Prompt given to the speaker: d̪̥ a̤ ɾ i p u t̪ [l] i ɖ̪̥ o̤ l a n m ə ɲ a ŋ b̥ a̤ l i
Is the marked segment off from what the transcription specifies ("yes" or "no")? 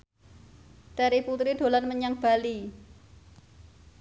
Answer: yes